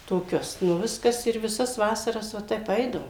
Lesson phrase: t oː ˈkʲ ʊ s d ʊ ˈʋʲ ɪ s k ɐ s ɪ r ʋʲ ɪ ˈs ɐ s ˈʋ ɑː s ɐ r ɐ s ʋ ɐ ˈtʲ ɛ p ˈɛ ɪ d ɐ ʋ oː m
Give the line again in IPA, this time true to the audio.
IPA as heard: t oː ˈkʲ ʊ s n ʊ ˈʋʲ ɪ s k ɐ s ɪ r ʋʲ ɪ ˈs ɐ s ˈʋ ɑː s ɐ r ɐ s ʋ ɐ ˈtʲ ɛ p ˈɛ ɪ d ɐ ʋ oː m